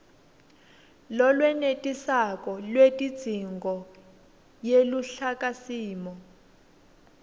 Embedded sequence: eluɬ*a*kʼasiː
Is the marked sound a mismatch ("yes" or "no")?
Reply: no